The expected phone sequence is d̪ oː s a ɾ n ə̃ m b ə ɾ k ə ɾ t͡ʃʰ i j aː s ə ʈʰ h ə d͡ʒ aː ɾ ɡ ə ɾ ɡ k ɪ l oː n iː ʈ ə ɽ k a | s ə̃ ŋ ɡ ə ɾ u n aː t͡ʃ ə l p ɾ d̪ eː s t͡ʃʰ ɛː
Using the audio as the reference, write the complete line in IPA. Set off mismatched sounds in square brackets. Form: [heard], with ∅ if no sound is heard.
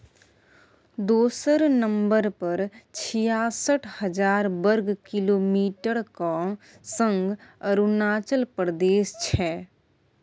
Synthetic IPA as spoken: d̪ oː s [ə] ɾ n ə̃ m b ə ɾ [p] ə ɾ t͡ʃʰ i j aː s ə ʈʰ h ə d͡ʒ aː ɾ [b] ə ɾ ɡ k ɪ l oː [m] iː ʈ ə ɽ k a | s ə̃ ŋ ɡ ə ɾ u n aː t͡ʃ ə l p ɾ d̪ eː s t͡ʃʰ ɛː